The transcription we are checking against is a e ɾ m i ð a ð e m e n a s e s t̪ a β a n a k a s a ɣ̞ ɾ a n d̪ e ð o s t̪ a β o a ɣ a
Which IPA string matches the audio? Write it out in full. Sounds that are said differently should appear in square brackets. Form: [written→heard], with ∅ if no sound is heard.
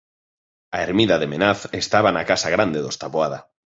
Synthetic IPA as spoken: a e ɾ m i ð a ð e m e n a [s→θ] e s t̪ a β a n a k a s a ɣ̞ ɾ a n d̪ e ð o s t̪ a β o a [ɣ→ð] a

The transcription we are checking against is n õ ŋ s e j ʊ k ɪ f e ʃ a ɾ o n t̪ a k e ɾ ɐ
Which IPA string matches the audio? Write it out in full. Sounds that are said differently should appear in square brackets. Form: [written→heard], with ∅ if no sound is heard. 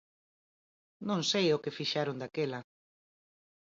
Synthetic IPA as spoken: n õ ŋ s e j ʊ k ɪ f [e→i] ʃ a ɾ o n [t̪→d̪] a k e [ɾ→l] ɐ

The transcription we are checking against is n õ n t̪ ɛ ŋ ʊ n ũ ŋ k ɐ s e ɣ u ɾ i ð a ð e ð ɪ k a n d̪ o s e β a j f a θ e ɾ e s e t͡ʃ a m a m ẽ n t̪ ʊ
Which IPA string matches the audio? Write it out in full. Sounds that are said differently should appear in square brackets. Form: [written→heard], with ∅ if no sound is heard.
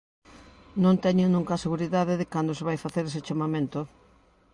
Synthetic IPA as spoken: n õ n t̪ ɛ [ŋ→ɲ] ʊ n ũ ŋ k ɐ s e ɣ u ɾ i ð a ð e ð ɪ k a n d̪ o s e β a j f a θ e ɾ e s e t͡ʃ a m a m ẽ n t̪ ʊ

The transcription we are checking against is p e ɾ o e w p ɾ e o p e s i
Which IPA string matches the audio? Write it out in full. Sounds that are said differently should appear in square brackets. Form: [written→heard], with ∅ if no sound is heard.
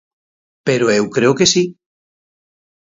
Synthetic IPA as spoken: p e ɾ o e w [p→k] ɾ e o [p→k] e s i

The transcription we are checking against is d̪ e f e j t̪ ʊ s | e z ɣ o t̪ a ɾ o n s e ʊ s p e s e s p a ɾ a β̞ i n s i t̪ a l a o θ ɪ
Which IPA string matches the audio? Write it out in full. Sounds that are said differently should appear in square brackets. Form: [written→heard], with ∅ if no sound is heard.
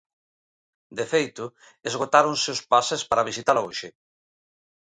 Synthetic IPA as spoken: d̪ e f e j t̪ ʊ [s→∅] | e z ɣ o t̪ a ɾ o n s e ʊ s p [e→a] s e s p a ɾ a β̞ i [n→∅] s i t̪ a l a o [θ→ʃ] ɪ

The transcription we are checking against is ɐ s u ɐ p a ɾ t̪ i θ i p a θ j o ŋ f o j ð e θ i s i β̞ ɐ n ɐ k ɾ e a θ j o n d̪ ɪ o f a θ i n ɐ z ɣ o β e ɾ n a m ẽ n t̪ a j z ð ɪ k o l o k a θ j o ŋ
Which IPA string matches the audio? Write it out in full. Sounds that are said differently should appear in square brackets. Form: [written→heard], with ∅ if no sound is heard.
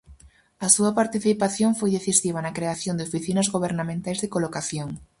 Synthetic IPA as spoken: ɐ s u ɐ p a ɾ t̪ i θ i p a θ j o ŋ f o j ð e θ i s i β̞ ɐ n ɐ k ɾ e a θ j o n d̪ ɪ o f [a→i] θ i n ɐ z ɣ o β e ɾ n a m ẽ n t̪ a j z ð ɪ k o l o k a θ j o ŋ

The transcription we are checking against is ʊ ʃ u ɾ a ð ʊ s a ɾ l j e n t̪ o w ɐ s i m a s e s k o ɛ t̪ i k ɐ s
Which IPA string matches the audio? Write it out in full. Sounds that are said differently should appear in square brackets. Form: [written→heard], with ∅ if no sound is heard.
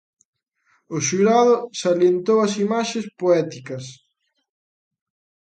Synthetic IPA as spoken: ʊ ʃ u ɾ a ð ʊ s a [ɾ→∅] l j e n t̪ o w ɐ s i m a [s→ʃ] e s [k→p] o ɛ t̪ i k ɐ s

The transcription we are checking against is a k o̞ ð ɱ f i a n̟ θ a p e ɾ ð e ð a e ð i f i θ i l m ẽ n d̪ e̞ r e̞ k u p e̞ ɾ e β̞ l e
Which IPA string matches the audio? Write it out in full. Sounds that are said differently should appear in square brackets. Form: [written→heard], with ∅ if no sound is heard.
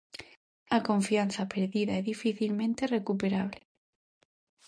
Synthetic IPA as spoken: a k o̞ [ð→∅] ɱ f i a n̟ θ a p e ɾ ð [e→i] ð a e ð i f i θ i l m ẽ n [d̪→t̪] e̞ r e̞ k u p e̞ ɾ [e→a] β̞ l e

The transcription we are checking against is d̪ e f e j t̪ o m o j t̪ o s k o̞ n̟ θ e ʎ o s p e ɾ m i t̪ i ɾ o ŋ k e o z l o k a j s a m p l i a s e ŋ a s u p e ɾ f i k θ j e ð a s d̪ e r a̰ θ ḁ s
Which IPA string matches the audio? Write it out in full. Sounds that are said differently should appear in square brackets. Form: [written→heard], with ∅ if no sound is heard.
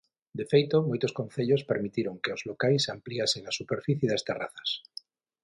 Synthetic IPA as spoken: d̪ e f e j t̪ o m o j t̪ o s k o̞ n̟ θ e ʎ o s p e ɾ m i t̪ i ɾ o ŋ k e o z l o k a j s a m p l i a s e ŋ a s u p e ɾ f i [k→∅] θ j e ð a s [d̪→t̪] e r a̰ θ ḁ s

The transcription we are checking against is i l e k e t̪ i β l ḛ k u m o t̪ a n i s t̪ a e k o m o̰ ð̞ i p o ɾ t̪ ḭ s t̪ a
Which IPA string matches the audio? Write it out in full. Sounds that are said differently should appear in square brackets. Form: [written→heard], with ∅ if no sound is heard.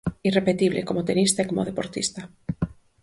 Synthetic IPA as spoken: i [l→r] e [k→p] e t̪ i β l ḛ k [u→o] m o t̪ [a→e] n i s t̪ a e k o m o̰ ð̞ [i→e] p o ɾ t̪ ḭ s t̪ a

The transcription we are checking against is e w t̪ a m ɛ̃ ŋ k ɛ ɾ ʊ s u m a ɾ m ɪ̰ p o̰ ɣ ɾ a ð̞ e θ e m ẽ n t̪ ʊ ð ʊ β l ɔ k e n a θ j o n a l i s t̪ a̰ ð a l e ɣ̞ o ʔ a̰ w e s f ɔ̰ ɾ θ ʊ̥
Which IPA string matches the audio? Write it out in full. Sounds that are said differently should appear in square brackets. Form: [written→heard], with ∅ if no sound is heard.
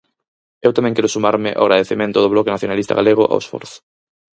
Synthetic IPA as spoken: e w t̪ a m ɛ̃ ŋ k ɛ ɾ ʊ s u m a ɾ m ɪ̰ [p→ʔ] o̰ ɣ ɾ a ð̞ e θ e m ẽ n t̪ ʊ ð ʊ β l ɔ k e n a θ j o n a l i s t̪ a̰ [ð→ɣ] a l e ɣ̞ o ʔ a̰ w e s f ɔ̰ ɾ θ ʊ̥

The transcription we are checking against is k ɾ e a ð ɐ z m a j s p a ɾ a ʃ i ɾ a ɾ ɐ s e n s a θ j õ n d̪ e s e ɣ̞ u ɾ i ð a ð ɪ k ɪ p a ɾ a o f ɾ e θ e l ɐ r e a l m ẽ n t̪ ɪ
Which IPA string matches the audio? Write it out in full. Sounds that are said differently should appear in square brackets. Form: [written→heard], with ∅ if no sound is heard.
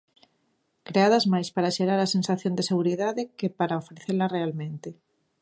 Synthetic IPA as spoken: k ɾ e a ð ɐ z m a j s p a ɾ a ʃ [i→e] ɾ a ɾ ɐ s e n s a θ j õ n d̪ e s e ɣ̞ u ɾ i ð a ð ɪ k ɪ p a ɾ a o f ɾ e θ e l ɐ r e a l m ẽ n t̪ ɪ

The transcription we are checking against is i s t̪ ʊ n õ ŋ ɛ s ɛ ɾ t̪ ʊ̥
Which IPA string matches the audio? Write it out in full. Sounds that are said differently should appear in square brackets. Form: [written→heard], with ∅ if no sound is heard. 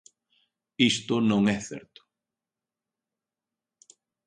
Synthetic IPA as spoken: i s t̪ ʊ n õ ŋ ɛ [s→θ] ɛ ɾ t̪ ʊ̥

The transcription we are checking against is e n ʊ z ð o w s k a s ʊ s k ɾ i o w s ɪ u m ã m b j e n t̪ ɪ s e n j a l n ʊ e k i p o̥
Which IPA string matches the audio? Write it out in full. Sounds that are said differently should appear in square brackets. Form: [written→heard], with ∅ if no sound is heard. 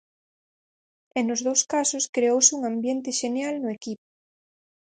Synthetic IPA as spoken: e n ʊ z ð o w s k a s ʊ s k ɾ [i→e] o w s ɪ u [m→ŋ] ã m b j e n t̪ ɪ [s→ʃ] e n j a l n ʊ e k i p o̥

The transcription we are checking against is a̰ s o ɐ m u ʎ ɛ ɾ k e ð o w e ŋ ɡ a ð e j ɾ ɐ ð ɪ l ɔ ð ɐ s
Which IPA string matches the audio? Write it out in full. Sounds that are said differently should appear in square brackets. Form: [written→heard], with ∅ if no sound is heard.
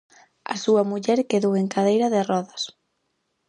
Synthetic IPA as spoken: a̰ s [o→u] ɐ m u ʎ ɛ ɾ k e ð o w e ŋ [ɡ→k] a ð e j ɾ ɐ ð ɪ [l→r] ɔ ð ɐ s

